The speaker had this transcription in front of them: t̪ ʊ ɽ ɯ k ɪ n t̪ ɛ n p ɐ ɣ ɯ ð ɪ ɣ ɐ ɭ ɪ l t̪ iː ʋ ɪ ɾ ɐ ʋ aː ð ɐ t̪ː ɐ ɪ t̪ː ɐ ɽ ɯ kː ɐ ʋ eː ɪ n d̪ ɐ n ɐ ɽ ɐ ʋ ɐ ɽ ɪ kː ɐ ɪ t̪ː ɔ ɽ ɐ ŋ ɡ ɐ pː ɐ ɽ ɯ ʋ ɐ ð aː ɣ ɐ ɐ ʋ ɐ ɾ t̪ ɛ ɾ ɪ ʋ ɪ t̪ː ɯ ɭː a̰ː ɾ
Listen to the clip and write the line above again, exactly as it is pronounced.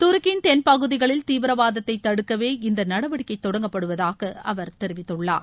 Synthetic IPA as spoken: t̪ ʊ ɾ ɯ k ɪ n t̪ ɛ n p ɐ ɣ ɯ ð ɪ ɣ ɐ ɭ ɪ l t̪ iː ʋ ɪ ɾ ɐ ʋ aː ð ɐ t̪ː ɐ ɪ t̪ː ɐ ɽ ɯ kː ɐ ʋ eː ɪ n d̪ ɐ n ɐ ɽ ɐ ʋ ɐ ɽ ɪ kː ɐ ɪ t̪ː ɔ ɽ ɐ ŋ ɡ ɐ pː ɐ ɽ ɯ ʋ ɐ ð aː ɣ ɐ ɐ ʋ ɐ ɾ t̪ ɛ ɾ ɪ ʋ ɪ t̪ː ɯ ɭː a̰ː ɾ